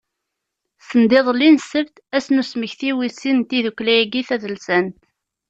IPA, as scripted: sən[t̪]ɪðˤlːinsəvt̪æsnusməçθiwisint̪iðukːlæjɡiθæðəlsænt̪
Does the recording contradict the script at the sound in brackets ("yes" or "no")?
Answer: yes